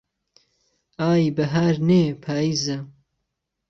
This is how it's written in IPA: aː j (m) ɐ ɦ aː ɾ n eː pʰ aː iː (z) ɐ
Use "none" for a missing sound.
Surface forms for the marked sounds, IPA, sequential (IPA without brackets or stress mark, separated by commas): b, z